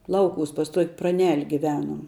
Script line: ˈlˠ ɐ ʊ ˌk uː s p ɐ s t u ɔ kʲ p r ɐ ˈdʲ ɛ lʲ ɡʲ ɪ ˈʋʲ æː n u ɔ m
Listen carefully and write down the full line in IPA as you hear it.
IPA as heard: ˈlˠ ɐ ʊ ˌk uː s p ɐ s t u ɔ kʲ p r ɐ ˈnʲ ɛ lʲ ɡʲ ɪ ˈʋʲ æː n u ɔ m